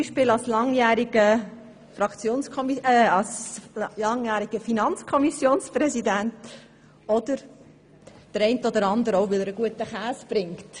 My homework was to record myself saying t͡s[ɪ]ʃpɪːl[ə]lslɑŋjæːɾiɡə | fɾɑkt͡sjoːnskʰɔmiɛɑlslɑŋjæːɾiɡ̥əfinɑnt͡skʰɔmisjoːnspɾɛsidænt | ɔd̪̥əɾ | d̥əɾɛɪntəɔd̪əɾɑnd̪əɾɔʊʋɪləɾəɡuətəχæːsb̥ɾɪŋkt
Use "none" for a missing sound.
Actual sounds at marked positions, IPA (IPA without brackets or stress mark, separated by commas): i, ɑ